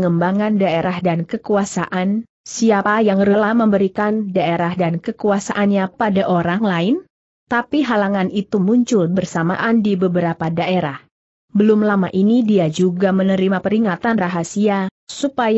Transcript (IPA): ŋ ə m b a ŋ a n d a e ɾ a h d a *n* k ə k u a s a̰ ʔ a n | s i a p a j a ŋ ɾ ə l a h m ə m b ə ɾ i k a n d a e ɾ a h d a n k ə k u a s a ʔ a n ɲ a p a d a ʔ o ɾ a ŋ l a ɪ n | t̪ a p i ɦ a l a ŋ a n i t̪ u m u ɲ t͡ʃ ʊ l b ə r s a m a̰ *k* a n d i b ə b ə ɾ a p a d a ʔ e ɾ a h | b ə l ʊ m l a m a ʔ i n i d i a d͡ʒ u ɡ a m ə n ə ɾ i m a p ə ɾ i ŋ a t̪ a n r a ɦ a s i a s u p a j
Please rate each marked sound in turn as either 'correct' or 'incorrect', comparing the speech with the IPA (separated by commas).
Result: correct, incorrect